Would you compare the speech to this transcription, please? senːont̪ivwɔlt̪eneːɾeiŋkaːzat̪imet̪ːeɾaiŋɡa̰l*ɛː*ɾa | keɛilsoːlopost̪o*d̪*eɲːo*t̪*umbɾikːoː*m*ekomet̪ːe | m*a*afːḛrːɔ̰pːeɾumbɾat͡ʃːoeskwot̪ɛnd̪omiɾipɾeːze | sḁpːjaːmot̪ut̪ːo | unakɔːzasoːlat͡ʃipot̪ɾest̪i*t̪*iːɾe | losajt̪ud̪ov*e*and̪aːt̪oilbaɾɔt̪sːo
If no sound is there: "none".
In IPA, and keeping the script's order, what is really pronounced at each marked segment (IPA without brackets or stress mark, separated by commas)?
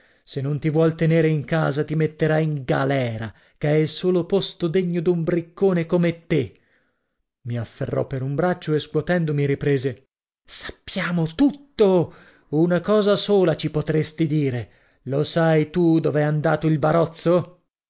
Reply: ɛː, d̪, d̪, n, i, d̪, ɛ